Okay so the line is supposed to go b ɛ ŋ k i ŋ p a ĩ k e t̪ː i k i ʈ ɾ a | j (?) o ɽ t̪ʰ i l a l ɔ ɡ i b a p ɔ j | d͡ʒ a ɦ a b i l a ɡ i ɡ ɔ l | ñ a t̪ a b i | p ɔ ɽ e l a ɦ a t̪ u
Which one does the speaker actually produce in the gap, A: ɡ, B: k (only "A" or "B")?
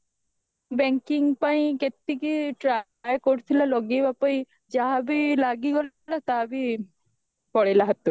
B